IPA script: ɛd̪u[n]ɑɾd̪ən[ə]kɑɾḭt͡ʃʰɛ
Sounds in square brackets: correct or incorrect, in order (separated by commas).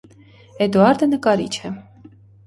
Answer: incorrect, correct